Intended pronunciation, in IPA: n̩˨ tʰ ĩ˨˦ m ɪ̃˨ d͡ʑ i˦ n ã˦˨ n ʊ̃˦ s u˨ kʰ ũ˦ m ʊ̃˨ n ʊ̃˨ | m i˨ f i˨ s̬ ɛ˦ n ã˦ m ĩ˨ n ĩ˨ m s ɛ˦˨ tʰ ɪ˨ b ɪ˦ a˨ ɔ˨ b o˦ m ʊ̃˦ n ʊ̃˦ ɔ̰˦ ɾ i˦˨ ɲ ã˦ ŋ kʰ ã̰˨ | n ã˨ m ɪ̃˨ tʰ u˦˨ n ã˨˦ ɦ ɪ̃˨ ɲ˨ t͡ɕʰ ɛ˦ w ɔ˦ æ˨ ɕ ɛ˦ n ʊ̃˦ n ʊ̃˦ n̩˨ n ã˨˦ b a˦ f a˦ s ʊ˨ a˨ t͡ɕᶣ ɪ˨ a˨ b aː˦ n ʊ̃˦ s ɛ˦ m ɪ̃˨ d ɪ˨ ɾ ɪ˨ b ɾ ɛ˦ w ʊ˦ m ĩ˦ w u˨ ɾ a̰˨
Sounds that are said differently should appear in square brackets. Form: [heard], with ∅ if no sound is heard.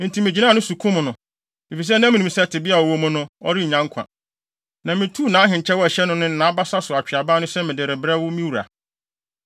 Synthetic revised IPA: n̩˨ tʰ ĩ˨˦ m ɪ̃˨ d͡ʑ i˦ n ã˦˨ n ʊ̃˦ s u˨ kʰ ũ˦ m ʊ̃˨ n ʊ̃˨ | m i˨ f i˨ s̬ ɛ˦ n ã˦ m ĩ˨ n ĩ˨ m s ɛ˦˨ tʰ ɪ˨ b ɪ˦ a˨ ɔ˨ [w] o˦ m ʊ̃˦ n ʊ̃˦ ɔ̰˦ ɾ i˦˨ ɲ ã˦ ŋ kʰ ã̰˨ | n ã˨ m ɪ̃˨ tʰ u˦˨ n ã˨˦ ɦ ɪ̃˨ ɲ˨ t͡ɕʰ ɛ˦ w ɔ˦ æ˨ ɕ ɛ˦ n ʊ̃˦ n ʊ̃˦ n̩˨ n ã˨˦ b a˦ [s] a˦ s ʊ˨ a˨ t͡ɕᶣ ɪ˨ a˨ b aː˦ n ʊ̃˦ s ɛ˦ m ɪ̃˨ d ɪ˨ ɾ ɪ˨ b ɾ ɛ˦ w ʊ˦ m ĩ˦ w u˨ ɾ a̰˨